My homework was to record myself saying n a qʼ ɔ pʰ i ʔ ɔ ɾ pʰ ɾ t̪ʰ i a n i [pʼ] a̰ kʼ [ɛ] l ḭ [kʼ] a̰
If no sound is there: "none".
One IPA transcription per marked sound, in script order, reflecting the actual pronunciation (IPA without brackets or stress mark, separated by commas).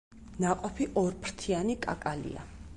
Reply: kʼ, a, none